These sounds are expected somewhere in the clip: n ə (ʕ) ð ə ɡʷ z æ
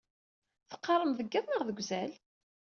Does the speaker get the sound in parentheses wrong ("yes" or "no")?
yes